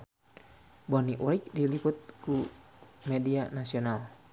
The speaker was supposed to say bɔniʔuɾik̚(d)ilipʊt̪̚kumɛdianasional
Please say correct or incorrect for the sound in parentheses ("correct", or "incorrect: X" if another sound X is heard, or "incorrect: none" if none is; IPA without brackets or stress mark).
correct